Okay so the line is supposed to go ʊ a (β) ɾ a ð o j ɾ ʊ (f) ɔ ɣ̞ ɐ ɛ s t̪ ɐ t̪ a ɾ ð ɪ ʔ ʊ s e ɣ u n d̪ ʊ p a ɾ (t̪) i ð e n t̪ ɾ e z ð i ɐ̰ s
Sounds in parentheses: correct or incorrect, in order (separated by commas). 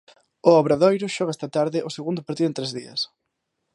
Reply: correct, incorrect, correct